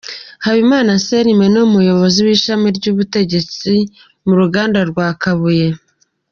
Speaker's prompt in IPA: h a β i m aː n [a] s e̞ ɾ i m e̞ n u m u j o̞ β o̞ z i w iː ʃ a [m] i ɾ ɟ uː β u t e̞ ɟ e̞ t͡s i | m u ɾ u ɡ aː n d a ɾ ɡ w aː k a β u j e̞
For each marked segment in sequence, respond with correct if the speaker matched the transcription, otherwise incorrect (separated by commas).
correct, correct